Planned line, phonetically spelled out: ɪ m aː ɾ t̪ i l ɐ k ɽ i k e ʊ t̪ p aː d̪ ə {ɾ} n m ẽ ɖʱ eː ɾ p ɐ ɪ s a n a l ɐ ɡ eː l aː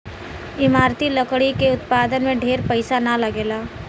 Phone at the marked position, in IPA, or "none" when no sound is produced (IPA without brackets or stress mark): none